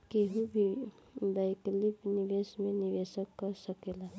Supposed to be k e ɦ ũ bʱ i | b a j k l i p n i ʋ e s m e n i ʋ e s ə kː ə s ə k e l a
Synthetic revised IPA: k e ɦ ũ bʱ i | b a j k l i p n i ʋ e s m e n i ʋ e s ə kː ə s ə k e l a